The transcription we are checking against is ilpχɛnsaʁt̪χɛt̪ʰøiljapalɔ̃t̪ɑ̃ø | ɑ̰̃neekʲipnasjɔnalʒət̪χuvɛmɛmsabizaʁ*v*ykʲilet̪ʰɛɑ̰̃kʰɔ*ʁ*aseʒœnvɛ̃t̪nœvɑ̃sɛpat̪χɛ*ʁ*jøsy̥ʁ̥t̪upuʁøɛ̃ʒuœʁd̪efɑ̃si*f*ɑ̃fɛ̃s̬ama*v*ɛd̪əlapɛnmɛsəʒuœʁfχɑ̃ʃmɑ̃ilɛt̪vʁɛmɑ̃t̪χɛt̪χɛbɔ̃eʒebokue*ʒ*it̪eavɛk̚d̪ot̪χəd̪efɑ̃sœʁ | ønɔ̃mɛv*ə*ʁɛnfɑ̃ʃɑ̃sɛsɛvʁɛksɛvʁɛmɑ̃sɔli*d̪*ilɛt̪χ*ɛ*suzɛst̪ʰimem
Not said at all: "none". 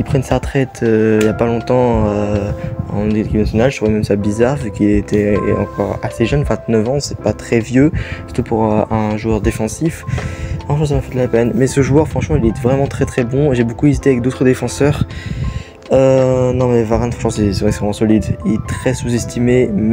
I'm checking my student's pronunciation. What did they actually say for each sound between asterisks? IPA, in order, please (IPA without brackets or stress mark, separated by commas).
v, ʁ, v, f, f, z, a, d̪, ɛ